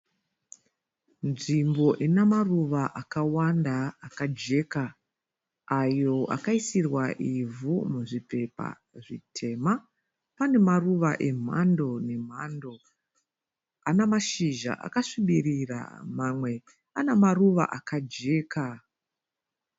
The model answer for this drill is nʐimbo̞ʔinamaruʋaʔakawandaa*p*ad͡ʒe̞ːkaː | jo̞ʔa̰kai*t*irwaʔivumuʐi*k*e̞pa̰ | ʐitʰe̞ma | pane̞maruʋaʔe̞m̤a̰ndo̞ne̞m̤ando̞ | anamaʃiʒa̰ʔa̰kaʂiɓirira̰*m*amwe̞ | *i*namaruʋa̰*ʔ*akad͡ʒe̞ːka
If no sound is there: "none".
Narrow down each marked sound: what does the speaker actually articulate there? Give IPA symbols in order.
k, s, p, m, a, ʔ

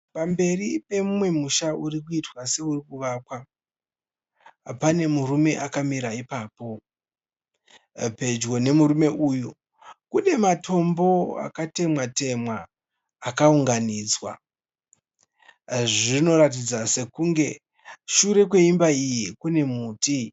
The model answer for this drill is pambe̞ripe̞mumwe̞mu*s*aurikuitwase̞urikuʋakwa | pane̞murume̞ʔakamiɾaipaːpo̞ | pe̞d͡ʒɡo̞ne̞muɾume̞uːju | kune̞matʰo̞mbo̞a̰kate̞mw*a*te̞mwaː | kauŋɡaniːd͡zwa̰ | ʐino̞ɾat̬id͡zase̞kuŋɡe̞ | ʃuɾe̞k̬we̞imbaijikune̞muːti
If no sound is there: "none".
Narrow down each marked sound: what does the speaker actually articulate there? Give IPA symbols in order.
ʃ, a

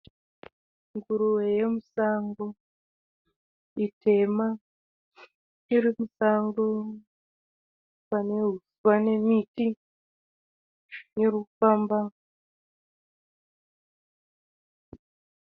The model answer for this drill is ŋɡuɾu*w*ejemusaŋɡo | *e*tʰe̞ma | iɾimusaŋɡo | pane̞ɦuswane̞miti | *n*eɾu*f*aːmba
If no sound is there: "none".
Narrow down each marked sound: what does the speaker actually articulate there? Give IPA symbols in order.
w, i, n, f

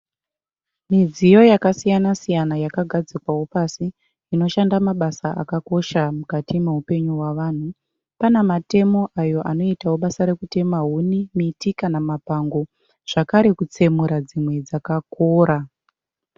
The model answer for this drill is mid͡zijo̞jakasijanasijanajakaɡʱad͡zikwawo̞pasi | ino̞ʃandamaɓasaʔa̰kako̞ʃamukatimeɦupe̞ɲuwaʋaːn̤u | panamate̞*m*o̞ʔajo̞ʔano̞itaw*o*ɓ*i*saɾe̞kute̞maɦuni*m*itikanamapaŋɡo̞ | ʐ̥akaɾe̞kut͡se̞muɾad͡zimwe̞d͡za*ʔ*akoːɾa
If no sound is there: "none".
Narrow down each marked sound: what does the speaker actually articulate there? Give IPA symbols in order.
m, o, a, m, k

